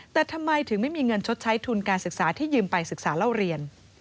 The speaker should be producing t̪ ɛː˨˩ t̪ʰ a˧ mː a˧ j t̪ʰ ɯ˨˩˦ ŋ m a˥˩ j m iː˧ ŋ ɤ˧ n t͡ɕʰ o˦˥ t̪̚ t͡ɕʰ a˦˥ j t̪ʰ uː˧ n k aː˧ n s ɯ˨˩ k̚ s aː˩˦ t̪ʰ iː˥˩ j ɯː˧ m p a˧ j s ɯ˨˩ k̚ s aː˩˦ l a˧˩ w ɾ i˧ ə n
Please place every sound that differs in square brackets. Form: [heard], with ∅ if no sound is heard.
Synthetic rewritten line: t̪ ɛː˨˩ t̪ʰ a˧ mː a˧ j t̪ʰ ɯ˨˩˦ ŋ m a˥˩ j m iː˧ ŋ ɤ˧ n t͡ɕʰ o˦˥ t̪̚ t͡ɕʰ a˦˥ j t̪ʰ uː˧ n k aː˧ n s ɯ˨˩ k̚ s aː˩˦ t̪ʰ iː˥˩ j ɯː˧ m p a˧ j s ɯ˨˩ k̚ s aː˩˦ l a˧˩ w ɾ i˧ ə n